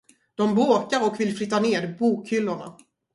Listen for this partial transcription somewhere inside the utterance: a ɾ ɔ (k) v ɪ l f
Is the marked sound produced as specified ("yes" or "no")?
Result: yes